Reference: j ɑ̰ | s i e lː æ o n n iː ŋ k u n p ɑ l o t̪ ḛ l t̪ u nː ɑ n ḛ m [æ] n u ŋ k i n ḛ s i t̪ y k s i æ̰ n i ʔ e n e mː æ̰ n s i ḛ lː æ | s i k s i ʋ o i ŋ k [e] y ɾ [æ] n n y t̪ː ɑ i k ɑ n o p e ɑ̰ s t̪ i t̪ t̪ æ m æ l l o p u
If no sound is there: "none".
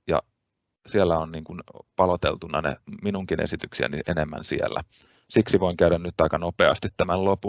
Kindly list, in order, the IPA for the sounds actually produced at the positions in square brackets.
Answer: i, æ, æ

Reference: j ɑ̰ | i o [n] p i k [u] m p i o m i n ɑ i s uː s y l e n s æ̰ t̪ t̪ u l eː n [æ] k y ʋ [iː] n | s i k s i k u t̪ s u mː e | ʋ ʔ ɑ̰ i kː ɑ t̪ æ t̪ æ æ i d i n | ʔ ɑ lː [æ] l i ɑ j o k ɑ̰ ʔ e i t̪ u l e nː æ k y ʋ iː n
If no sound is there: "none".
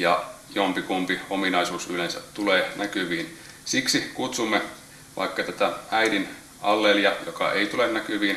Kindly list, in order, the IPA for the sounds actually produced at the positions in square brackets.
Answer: m, u, æ, iː, e

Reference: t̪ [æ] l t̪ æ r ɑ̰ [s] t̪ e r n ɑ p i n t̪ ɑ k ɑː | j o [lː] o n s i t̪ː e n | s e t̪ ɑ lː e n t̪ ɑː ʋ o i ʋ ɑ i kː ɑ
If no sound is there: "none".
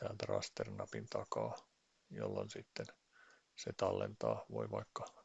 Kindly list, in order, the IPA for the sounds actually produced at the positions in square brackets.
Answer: æː, s, lː

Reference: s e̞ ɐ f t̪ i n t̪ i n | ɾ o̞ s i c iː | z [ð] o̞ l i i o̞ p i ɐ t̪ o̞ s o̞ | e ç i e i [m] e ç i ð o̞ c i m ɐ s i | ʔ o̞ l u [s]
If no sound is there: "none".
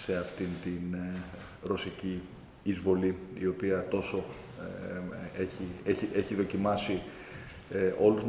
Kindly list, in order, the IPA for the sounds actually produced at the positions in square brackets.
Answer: v, none, z

